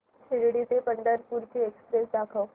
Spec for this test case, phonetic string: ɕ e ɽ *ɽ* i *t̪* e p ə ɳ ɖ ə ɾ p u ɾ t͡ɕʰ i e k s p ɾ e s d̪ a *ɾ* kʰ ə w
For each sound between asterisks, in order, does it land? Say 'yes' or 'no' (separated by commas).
yes, yes, no